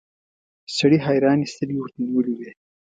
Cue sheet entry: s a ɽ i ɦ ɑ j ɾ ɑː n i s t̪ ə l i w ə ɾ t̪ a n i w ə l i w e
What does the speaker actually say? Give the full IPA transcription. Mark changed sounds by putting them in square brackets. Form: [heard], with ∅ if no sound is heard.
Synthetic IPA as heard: s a ɽ i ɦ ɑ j ɾ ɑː n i s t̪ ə l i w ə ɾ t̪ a n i w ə l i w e

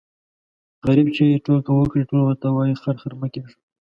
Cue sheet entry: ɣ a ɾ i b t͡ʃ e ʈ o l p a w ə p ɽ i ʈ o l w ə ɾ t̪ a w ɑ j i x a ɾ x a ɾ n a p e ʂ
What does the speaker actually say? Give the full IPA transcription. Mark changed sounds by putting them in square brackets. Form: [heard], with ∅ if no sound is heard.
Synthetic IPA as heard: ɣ a ɾ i b t͡ʃ e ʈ o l [k] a w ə [k] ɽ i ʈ o l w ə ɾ t̪ a w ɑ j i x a ɾ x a ɾ [m] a [k] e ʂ

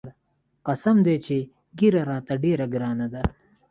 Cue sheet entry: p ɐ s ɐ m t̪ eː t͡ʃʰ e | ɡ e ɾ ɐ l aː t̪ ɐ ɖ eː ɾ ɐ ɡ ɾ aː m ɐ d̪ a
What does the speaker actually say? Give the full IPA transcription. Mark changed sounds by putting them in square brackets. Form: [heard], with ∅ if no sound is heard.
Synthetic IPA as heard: [q] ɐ s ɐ m [d̪] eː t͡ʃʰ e | ɡ [i] ɾ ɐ [ɾ] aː t̪ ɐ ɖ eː ɾ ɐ ɡ ɾ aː [n] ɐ d̪ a

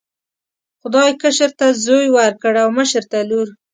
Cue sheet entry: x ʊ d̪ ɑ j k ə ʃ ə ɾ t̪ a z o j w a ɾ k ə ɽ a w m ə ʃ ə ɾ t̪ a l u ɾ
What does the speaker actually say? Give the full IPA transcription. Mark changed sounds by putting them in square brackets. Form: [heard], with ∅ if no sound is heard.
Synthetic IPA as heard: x ʊ d̪ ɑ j k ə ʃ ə ɾ t̪ a z o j w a ɾ k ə ɽ a w m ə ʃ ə ɾ t̪ a l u ɾ

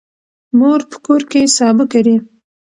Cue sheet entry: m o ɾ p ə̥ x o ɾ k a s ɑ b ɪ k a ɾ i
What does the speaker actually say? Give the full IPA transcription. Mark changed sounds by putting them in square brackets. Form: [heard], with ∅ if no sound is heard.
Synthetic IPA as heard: m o ɾ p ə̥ [k] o ɾ k [e] s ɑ b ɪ k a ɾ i

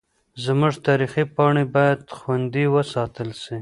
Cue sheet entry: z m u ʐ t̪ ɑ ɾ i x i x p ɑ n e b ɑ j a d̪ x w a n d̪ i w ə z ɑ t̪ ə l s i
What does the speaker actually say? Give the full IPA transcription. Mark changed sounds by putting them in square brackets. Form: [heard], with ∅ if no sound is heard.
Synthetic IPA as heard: z m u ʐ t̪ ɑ ɾ i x i [∅] p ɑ [ɳ] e b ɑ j a d̪ x w a n d̪ i w ə [s] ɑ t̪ ə l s i

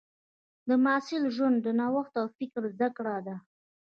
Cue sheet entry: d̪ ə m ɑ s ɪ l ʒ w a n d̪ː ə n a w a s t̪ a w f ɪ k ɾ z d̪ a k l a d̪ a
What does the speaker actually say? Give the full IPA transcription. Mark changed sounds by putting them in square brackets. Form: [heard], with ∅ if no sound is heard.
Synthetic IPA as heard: d̪ ə m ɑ s ɪ l ʒ w a n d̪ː ə n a w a [x] t̪ a w f ɪ k ɾ z d̪ a k [ɽ] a d̪ a

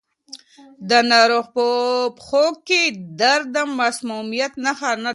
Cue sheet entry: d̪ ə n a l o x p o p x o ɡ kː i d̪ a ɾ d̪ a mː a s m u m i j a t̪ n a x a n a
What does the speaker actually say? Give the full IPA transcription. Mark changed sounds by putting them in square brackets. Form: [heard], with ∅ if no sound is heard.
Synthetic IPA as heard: d̪ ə n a [ɾ] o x p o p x o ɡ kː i d̪ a ɾ d̪ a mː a s m u m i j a t̪ n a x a n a

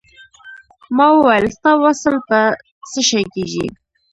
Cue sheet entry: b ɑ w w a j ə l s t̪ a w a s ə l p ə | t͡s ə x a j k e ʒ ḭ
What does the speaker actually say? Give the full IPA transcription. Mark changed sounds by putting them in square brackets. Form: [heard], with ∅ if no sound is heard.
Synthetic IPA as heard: [m] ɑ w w a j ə l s t̪ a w a s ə l p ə | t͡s ə [ʃ] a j k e ʒ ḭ

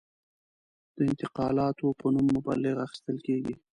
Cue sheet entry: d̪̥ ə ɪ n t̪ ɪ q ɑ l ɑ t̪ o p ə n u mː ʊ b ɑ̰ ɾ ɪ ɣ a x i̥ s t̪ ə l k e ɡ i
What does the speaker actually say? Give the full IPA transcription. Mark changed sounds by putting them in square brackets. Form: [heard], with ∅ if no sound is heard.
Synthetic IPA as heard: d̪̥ ə ɪ n t̪ ɪ q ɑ l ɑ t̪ o p ə n u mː ʊ b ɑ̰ [l] ɪ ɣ a x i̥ s t̪ ə l k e ɡ i

